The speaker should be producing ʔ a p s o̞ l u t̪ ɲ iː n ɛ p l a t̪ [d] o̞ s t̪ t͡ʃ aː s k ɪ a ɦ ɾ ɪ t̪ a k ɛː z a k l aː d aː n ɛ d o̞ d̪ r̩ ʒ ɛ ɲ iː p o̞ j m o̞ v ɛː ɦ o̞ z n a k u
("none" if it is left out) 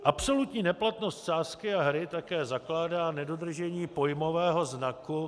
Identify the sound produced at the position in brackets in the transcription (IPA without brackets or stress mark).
n